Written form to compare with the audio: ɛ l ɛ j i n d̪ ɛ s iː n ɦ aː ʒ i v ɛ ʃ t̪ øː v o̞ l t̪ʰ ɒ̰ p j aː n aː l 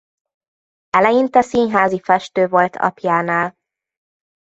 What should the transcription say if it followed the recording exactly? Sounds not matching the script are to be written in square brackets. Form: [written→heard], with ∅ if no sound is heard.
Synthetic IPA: ɛ l ɛ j i n [d̪→t̪] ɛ s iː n ɦ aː [ʒ→z] i [v→f] ɛ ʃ t̪ øː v o̞ l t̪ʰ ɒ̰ p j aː n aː l